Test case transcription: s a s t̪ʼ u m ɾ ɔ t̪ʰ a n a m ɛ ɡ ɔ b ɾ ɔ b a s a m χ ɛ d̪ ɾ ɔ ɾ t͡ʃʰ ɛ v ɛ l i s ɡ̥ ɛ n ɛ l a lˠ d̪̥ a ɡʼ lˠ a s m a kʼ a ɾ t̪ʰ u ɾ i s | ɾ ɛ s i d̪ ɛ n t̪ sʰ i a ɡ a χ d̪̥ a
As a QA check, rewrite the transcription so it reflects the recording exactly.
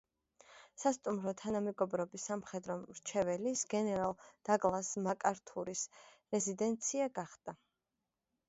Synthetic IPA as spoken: s a s t̪ʼ u m ɾ ɔ t̪ʰ a n a m ɛ ɡ ɔ b ɾ ɔ b i s a m χ ɛ d̪ ɾ ɔ ɾ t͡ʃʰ ɛ v ɛ l i s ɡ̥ ɛ n ɛ ɾ a lˠ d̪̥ a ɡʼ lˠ a s m a kʼ a ɾ t̪ʰ u ɾ i s | ɾ ɛ z i d̪ ɛ n t̪ sʰ i a ɡ a χ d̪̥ a

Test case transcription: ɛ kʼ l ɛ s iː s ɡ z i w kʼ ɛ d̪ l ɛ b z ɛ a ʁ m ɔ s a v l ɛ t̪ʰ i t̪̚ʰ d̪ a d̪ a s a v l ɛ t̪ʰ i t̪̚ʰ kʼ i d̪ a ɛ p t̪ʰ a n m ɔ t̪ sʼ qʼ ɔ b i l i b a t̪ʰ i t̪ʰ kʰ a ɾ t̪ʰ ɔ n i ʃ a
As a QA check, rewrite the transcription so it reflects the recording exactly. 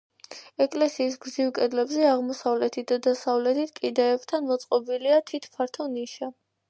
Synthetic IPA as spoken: ɛ kʼ l ɛ s iː s ɡ z i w kʼ ɛ d̪ l ɛ b z ɛ a ʁ m ɔ s a v l ɛ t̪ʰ i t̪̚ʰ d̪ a d̪ a s a v l ɛ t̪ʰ i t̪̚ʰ kʼ i d̪ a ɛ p t̪ʰ a n m ɔ t̪ sʼ qʼ ɔ b i l i a t̪ʰ i t̪ʰ pʰ a ɾ t̪ʰ ɔ n i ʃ a

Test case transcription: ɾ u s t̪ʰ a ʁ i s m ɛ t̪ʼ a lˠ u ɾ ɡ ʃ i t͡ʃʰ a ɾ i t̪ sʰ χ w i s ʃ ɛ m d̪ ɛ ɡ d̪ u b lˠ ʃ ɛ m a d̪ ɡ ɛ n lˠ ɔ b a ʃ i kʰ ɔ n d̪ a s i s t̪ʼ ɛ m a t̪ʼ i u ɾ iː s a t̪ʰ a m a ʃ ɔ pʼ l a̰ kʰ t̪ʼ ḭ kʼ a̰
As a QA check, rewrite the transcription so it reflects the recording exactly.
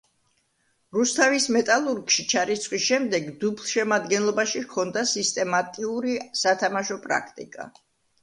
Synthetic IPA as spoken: ɾ u s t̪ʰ a v i s m ɛ t̪ʼ a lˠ u ɾ ɡ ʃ i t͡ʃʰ a ɾ i t̪ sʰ χ w i s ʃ ɛ m d̪ ɛ ɡ d̪ u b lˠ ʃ ɛ m a d̪ ɡ ɛ n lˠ ɔ b a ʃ i kʰ ɔ n d̪ a s i s t̪ʼ ɛ m a t̪ʼ i u ɾ i s a t̪ʰ a m a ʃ ɔ pʼ ɾ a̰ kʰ t̪ʼ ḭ kʼ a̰

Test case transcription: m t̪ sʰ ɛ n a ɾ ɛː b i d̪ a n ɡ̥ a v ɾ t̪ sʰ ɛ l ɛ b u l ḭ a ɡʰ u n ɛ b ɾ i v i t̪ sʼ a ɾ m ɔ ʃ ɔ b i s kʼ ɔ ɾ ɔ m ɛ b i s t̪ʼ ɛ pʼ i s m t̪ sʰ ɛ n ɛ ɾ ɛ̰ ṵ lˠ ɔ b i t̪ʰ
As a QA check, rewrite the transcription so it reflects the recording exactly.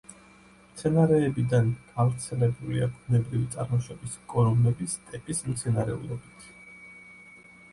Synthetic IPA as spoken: m t̪ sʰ ɛ n a ɾ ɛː b i d̪ a n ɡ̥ a v ɾ t̪ sʰ ɛ l ɛ b u l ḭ a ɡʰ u n ɛ b ɾ i v i t̪ sʼ a ɾ m ɔ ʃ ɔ b i s kʼ ɔ ɾ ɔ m ɛ b i s t̪ʼ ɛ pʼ i s m t̪ sʰ ɛ n a ɾ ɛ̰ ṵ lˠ ɔ b i t̪ʰ

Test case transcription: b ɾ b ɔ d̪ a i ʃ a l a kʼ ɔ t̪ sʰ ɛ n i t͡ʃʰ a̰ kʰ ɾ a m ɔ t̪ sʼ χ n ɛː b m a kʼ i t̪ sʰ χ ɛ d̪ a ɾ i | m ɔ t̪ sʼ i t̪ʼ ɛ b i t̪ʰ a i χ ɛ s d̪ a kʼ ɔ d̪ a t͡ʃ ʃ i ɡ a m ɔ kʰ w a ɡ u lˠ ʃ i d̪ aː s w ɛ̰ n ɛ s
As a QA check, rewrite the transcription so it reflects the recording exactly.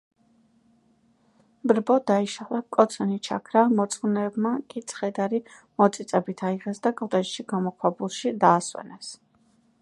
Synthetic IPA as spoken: b ɾ b ɔ d̪ a i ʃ a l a kʼ ɔ t̪ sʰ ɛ n i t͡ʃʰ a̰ kʰ ɾ a m ɔ t̪ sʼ χ n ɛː b m a kʼ i t̪ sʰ χ ɛ d̪ a ɾ i | m ɔ t̪ sʼ i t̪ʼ ɛ b i t̪ʰ a i ʁ ɛ s d̪ a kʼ ɔ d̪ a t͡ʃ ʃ i ɡ a m ɔ kʰ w a b u lˠ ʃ i d̪ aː s w ɛ̰ n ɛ s

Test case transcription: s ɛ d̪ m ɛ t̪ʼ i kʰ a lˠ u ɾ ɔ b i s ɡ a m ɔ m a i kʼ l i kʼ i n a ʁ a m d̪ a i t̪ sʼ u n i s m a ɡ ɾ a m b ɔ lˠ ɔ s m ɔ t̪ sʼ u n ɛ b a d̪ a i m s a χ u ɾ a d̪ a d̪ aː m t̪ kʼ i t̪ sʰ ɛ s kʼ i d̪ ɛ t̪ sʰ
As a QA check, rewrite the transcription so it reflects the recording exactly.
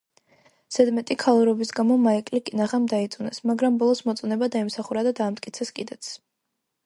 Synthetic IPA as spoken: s ɛ d̪ m ɛ t̪ʼ i kʰ a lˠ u ɾ ɔ b i s ɡ a m ɔ m a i kʼ l i kʼ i n a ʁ a m d̪ a i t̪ sʼ u n ɛ s m a ɡ ɾ a m b ɔ lˠ ɔ s m ɔ t̪ sʼ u n ɛ b a d̪ a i m s a χ u ɾ a d̪ a d̪ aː m t̪ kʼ i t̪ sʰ ɛ s kʼ i d̪ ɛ t̪ sʰ

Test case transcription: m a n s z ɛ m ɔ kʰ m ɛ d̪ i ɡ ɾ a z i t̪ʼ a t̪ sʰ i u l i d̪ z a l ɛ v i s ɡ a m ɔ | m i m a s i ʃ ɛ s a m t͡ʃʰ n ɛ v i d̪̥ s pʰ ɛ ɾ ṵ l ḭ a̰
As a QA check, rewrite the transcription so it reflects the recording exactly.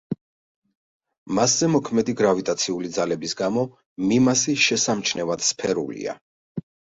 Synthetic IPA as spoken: m a s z ɛ m ɔ kʰ m ɛ d̪ i ɡ ɾ a v i t̪ʼ a t̪ sʰ i u l i d̪ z a l ɛ b i s ɡ a m ɔ | m i m a s i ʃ ɛ s a m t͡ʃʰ n ɛ v a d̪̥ s pʰ ɛ ɾ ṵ l ḭ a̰

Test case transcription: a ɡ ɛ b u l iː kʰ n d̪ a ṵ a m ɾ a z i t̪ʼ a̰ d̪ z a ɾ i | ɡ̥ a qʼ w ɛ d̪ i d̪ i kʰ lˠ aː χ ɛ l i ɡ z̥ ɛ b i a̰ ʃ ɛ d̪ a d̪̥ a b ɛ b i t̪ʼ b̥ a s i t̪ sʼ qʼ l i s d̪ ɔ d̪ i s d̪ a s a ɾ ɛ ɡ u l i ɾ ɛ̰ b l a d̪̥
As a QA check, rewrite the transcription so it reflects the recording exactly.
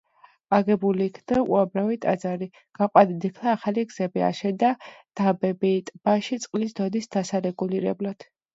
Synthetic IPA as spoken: a ɡ ɛ b u l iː kʰ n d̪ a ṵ a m ɾ a v i t̪ʼ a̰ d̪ z a ɾ i | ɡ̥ a qʼ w a d̪ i d̪ i kʰ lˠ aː χ a l i ɡ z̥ ɛ b i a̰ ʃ ɛ d̪ a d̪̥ a b ɛ b i t̪ʼ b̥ a ʃ i t̪ sʼ qʼ l i s d̪ ɔ d̪ i s d̪ a s a ɾ ɛ ɡ u l i ɾ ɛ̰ b l a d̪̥

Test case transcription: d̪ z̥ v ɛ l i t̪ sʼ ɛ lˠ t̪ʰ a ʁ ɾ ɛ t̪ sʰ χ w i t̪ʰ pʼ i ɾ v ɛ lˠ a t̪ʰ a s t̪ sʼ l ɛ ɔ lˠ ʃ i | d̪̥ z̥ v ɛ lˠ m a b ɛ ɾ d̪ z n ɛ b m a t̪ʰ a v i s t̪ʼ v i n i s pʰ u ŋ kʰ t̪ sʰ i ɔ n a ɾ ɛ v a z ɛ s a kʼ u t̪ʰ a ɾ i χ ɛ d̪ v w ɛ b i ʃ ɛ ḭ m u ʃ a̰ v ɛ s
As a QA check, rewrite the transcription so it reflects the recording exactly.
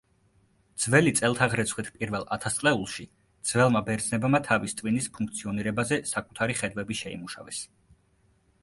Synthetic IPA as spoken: d̪ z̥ v ɛ l i t̪ sʼ ɛ lˠ t̪ʰ a ʁ ɾ ɛ t̪ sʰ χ w i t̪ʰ pʼ i ɾ v ɛ lˠ a t̪ʰ a s t̪ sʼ l ɛ u lˠ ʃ i | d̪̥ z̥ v ɛ lˠ m a b ɛ ɾ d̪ z n ɛ b m a t̪ʰ a v i s t̪ʼ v i n i s pʰ u ŋ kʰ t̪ sʰ i ɔ n i ɾ ɛ b a z ɛ s a kʼ u t̪ʰ a ɾ i χ ɛ d̪ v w ɛ b i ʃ ɛ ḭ m u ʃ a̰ v ɛ s

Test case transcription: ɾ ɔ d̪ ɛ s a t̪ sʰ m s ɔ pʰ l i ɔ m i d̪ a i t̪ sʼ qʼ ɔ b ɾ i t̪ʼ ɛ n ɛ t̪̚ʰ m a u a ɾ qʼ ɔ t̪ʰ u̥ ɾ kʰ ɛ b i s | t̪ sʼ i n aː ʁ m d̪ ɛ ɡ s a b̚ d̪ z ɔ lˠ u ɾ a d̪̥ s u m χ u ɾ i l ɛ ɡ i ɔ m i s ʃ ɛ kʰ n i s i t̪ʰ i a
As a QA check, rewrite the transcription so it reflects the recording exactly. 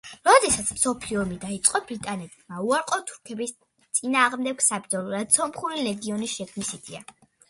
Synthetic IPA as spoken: ɾ ɔ d̪ ɛ s a t̪ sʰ m s ɔ pʰ l i ɔ m i d̪ a i t̪ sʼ qʼ ɔ b ɾ i t̪ʼ a n ɛ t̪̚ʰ m a u a ɾ qʼ ɔ t̪ʰ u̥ ɾ kʰ ɛ b i s | t̪ sʼ i n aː ʁ m d̪ ɛ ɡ s a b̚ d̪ z ɔ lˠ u ɾ a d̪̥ s ɔ m χ u ɾ i l ɛ ɡ i ɔ n i s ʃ ɛ kʰ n i s i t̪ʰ i a

